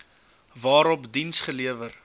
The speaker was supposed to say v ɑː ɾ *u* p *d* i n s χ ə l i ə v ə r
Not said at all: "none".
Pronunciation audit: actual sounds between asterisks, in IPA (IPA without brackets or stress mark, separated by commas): ɔ, d